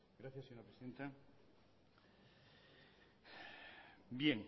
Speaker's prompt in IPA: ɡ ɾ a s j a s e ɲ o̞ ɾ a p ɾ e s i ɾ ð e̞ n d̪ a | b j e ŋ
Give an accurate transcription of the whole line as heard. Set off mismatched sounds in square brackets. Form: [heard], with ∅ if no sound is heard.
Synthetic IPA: ɡ ɾ a [θ] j a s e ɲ o̞ ɾ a p ɾ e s i [∅] ð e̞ n [t̪] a | b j e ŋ